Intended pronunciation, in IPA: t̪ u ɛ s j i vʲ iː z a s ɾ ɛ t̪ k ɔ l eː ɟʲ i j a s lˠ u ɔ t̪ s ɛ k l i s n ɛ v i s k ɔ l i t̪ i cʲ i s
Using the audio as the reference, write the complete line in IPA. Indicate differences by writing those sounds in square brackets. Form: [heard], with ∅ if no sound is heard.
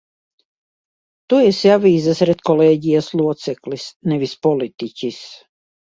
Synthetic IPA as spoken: t̪ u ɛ s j [a] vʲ iː z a s ɾ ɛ t̪ k ɔ l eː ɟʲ i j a s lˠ u ɔ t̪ s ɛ k l i s n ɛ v i s [p] ɔ l i t̪ i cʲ i s